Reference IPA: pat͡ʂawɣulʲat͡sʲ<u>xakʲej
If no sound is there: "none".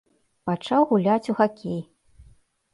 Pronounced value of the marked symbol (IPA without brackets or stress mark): u